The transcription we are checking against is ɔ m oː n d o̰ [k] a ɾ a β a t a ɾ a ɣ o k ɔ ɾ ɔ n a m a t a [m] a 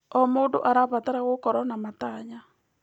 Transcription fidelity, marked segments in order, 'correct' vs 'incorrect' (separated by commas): incorrect, incorrect